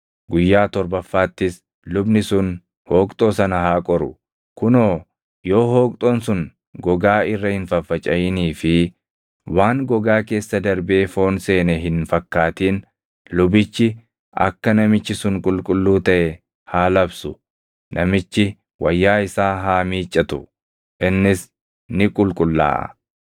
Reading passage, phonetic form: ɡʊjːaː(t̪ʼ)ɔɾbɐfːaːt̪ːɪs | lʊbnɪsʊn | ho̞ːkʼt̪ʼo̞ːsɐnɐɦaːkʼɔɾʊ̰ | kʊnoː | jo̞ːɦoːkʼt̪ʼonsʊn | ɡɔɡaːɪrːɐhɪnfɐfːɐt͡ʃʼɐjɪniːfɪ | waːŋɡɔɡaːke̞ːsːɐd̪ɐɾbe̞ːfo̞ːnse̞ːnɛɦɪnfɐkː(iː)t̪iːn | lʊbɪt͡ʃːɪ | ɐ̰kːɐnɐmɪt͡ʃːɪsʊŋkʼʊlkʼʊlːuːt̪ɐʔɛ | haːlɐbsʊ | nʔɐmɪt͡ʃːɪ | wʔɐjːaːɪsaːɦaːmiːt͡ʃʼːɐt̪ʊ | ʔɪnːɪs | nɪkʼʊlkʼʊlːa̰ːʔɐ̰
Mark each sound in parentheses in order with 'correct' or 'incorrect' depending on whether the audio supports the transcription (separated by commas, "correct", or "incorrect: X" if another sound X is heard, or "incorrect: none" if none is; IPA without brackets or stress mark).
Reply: incorrect: t̪, incorrect: aː